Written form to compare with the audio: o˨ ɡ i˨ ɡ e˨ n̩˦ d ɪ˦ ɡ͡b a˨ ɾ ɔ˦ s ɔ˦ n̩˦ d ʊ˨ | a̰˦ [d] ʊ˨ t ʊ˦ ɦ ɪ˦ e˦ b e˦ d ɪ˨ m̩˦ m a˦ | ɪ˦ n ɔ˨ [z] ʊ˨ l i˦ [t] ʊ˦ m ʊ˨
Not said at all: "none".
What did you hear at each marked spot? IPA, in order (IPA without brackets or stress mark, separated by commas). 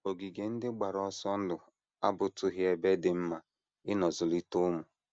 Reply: b, z, t